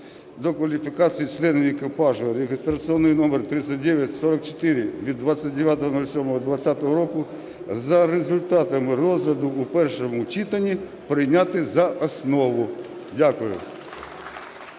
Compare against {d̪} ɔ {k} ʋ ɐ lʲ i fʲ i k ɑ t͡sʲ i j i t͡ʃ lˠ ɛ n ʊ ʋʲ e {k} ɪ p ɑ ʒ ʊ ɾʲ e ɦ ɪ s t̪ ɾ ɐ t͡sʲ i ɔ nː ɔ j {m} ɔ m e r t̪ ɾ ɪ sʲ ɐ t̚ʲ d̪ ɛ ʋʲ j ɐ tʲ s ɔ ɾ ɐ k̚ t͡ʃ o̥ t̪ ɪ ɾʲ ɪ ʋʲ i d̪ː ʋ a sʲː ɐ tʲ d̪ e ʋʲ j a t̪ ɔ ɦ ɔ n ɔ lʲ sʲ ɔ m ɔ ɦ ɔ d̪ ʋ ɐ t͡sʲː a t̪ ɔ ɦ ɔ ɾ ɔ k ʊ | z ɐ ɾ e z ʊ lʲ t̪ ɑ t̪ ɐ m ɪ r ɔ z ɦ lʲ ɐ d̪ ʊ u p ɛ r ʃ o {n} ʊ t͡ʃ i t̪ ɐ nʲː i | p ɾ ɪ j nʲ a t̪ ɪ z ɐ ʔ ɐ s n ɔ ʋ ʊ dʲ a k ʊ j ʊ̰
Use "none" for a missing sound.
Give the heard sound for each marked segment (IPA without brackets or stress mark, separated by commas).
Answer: d̪, k, k, n, m